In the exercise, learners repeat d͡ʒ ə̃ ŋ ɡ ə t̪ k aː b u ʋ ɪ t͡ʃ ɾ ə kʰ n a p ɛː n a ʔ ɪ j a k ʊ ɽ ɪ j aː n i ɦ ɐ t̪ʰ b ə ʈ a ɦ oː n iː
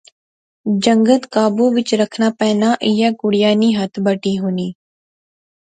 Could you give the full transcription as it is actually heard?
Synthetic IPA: d͡ʒ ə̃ ŋ ɡ ə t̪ k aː b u ʋ ɪ t͡ʃ ɾ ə kʰ n a p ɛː n a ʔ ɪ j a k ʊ ɽ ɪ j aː n i ɦ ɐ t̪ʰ b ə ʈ i ɦ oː n iː